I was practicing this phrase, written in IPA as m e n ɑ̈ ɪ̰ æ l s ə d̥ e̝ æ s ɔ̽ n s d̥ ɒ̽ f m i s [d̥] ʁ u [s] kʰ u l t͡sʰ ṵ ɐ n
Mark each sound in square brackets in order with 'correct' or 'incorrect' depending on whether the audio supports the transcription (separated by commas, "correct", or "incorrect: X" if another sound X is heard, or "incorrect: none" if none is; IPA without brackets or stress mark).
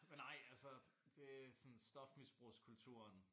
incorrect: b̥, correct